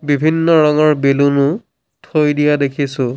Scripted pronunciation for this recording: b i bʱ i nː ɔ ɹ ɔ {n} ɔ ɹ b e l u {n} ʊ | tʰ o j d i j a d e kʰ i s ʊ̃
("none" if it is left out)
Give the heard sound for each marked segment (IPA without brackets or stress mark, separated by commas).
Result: ŋ, n